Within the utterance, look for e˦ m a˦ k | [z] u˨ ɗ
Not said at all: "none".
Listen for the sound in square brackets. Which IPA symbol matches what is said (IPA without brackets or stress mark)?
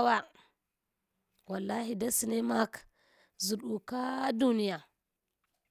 z